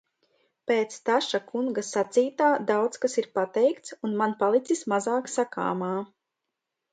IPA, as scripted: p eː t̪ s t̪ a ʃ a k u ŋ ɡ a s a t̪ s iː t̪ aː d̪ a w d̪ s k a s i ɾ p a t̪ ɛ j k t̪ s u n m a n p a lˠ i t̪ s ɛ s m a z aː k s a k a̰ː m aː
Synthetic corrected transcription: p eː t̪ s t̪ a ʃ a k u ŋ ɡ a s a t̪ s iː t̪ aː d̪ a w t̪ s k a s i ɾ p a t̪ ɛ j k t̪ s u n m a n p a lˠ i t̪ s i s m a z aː k s a k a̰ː m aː